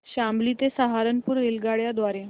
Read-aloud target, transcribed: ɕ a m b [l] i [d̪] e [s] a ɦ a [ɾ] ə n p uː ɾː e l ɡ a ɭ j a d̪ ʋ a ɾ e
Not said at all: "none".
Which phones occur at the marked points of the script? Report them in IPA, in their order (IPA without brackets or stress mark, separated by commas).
l, t̪, s, ɾ